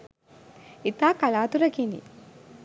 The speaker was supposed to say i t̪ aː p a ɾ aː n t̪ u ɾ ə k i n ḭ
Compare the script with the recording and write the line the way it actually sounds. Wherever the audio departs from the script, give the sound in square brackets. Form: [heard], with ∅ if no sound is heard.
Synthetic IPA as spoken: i t̪ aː [k] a [l] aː [∅] t̪ u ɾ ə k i n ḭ